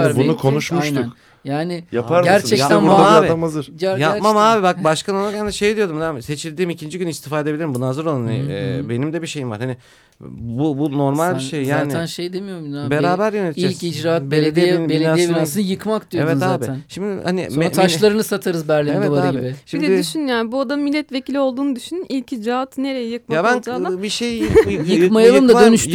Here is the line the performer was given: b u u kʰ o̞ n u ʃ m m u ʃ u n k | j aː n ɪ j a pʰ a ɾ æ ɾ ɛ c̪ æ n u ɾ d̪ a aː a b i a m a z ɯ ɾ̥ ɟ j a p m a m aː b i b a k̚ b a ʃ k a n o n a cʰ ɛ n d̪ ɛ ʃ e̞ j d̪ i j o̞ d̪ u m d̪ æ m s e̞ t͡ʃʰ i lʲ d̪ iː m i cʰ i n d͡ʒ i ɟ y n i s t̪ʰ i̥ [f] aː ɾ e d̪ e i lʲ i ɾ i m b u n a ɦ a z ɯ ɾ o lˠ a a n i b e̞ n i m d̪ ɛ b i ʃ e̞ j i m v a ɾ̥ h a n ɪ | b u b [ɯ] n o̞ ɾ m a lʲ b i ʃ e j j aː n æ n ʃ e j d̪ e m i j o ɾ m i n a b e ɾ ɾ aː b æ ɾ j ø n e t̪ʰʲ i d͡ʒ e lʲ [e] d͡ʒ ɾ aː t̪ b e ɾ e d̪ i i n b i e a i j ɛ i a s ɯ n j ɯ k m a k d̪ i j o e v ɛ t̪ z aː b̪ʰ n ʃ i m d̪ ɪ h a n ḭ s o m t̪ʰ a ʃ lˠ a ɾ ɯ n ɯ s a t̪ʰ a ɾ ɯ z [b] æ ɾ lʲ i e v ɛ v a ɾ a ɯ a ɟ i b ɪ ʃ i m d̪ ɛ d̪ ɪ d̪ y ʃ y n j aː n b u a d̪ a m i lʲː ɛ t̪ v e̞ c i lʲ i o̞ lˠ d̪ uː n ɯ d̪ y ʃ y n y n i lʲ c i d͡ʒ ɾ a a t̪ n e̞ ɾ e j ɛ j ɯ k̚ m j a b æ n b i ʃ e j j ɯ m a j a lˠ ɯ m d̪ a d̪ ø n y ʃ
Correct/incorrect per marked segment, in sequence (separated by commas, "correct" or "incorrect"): correct, incorrect, incorrect, correct